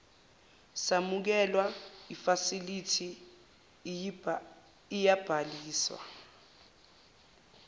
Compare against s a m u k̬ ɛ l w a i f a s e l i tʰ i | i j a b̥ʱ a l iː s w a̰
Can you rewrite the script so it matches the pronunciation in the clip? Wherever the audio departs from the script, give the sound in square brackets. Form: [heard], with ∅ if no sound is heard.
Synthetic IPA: s a m u k̬ ɛ l w a i f a s [i] l i tʰ i | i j a b̥ʱ a l iː s w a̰